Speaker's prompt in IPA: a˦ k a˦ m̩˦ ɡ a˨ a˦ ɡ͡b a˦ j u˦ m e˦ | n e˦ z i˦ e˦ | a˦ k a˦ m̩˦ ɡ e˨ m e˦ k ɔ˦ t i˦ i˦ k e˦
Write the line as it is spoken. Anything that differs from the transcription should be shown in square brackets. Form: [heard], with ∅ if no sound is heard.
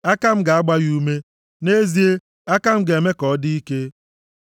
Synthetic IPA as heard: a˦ k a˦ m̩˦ ɡ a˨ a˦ ɡ͡b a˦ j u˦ m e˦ | n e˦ z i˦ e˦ | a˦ k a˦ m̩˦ ɡ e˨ m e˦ k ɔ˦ [d] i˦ i˦ k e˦